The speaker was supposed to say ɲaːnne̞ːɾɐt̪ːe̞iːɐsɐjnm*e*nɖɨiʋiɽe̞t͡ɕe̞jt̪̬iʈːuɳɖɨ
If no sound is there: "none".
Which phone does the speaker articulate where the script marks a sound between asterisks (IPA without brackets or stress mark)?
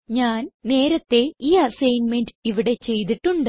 e